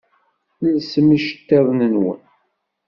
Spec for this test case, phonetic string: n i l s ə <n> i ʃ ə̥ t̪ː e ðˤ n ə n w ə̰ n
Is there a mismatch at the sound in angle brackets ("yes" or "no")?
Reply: yes